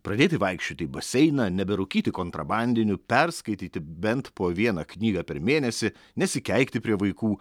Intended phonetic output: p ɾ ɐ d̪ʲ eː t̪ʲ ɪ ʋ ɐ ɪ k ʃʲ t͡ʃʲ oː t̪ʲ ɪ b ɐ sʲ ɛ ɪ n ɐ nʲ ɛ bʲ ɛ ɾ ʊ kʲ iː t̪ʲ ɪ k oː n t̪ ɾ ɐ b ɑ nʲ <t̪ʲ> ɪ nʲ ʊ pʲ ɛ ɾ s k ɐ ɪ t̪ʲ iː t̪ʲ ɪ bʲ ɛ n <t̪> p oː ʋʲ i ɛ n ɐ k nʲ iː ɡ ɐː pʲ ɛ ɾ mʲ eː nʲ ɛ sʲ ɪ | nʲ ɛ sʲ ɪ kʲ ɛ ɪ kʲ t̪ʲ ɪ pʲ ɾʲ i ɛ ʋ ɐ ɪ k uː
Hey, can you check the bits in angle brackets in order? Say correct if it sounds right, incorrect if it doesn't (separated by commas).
incorrect, correct